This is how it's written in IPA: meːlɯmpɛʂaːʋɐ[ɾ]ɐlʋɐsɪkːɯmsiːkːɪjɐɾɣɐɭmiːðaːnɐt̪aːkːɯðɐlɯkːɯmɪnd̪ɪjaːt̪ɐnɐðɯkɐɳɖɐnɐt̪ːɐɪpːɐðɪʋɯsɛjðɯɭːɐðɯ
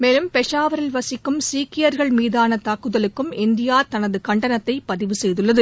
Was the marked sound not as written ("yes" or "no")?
no